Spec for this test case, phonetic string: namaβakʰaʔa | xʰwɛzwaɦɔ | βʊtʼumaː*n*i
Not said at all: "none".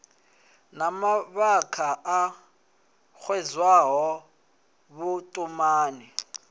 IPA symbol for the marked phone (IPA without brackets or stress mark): n